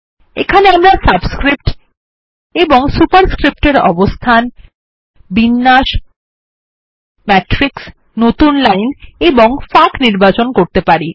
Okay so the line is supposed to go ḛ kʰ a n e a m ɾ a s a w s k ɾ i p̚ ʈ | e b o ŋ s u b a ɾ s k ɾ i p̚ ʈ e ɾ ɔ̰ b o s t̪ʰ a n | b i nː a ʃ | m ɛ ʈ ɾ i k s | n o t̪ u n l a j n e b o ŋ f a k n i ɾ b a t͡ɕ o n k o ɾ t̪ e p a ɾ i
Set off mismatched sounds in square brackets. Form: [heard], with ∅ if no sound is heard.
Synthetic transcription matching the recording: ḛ kʰ a n e a m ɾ a s a [b] s k ɾ i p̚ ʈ | e b o ŋ s u [p] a ɾ s k ɾ i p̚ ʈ e ɾ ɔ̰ b o s t̪ʰ a n | b i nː a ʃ | m ɛ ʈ ɾ i k s | n o t̪ u n l a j n e b o ŋ f a k n i ɾ b a t͡ɕ o n k o ɾ t̪ e p a ɾ i

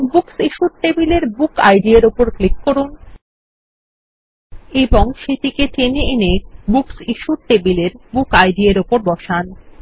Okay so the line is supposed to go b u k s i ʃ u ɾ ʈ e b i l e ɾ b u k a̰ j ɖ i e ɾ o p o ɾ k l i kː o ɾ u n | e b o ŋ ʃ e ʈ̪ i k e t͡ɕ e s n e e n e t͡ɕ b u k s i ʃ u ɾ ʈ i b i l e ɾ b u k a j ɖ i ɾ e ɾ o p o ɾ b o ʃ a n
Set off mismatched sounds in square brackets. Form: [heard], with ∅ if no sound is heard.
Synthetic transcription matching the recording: b u k s i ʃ u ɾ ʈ e b i l e ɾ b u k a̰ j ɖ i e ɾ o p o ɾ k l i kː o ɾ u n | e b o ŋ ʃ e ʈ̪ i k e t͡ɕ e [∅] n e e n e [∅] b u k s i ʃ u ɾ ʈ [e] b i l e ɾ b u k a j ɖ i [∅] e ɾ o p o ɾ b [ɔ] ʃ a n

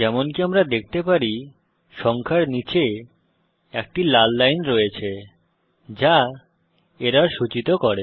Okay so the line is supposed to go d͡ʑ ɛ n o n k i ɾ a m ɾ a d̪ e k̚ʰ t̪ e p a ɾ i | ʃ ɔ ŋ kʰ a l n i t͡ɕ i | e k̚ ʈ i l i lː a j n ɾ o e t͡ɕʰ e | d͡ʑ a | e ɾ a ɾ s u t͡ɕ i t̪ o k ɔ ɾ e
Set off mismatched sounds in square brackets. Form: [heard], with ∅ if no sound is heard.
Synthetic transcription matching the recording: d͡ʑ ɛ [m] o n k i [∅] a m ɾ a d̪ e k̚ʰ t̪ e p a ɾ i | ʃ ɔ ŋ kʰ a [ɾ] n i t͡ɕ [e] | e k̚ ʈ i l [a] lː a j n ɾ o e t͡ɕʰ e | d͡ʑ a | e ɾ a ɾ [ʃ] u t͡ɕ i t̪ o k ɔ ɾ e

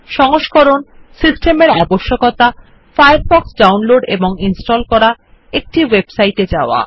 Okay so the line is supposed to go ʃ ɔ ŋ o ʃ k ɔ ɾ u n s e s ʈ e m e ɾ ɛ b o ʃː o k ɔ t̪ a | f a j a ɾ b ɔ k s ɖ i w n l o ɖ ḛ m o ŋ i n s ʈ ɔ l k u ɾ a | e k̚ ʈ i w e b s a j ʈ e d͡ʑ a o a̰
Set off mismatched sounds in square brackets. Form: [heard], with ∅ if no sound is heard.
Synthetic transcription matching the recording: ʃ ɔ ŋ o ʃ k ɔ ɾ [o] n s [i] s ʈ e m e ɾ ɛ b o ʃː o k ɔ t̪ a | f a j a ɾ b ɔ k s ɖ [a] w n l o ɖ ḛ [b] o ŋ i n s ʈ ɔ l k [ɔ] ɾ a | e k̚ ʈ i w e b s a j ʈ e d͡ʑ a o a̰

